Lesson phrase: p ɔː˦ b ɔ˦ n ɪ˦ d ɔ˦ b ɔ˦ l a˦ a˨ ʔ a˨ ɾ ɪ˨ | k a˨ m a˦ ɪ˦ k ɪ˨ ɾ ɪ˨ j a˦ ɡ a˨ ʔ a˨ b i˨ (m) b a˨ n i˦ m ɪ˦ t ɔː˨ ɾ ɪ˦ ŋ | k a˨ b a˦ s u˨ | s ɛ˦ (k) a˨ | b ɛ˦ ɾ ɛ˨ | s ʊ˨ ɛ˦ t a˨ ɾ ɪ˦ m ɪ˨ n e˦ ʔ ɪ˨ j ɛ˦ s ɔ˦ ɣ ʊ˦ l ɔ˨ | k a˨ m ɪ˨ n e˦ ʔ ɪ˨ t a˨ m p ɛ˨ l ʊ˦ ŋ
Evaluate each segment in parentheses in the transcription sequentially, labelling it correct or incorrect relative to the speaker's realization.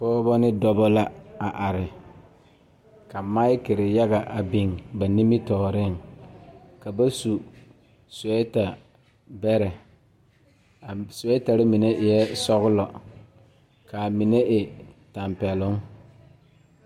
incorrect: ŋ, incorrect: t

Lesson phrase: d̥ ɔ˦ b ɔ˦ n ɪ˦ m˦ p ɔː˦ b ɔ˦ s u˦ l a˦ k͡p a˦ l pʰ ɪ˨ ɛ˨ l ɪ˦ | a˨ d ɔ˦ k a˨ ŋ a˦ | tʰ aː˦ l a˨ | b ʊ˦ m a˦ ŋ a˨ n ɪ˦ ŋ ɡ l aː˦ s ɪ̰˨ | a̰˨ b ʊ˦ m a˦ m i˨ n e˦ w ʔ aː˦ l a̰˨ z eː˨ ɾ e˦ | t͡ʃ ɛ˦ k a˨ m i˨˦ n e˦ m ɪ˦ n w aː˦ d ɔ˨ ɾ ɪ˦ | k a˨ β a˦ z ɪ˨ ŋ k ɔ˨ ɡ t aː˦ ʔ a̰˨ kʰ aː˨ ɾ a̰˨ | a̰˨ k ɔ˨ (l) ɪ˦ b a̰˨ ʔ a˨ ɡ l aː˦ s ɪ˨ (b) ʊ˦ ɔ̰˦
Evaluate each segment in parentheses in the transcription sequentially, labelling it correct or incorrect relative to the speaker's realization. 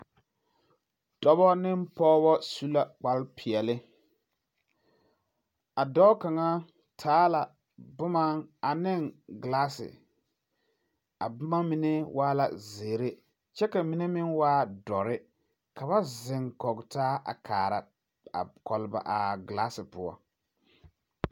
correct, incorrect: p

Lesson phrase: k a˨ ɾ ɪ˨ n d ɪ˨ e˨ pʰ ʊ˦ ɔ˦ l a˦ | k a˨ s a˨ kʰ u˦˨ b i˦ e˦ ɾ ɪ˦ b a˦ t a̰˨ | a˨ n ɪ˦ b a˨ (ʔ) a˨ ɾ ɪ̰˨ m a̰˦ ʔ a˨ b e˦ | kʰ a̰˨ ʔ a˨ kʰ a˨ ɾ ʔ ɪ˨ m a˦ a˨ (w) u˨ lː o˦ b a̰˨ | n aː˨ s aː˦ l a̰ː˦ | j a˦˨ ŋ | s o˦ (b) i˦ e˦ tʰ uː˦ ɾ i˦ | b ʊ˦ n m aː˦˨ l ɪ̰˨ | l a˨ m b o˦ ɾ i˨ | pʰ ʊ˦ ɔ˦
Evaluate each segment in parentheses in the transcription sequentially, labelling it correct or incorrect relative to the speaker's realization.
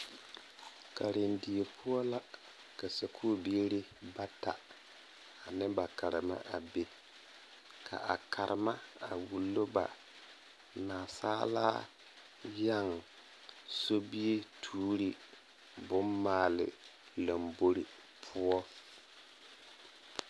incorrect: k, correct, correct

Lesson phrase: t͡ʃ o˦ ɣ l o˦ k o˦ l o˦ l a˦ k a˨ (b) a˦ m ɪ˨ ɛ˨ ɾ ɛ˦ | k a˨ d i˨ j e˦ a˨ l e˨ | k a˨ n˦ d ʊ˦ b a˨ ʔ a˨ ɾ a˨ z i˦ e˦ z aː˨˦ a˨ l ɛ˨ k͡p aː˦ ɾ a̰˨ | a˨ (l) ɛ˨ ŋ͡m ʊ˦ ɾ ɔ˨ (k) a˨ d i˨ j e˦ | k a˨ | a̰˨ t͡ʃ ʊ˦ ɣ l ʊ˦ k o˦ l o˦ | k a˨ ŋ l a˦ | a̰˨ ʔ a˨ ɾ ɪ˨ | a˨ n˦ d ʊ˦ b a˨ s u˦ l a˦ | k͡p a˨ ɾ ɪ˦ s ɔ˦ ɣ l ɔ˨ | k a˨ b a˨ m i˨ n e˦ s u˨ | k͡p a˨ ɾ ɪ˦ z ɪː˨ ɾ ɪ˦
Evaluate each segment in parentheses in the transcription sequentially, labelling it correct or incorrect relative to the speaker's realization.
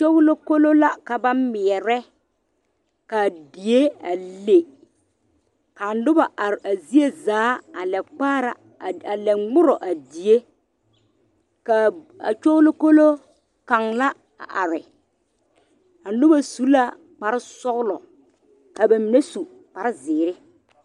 correct, correct, incorrect: ʔ

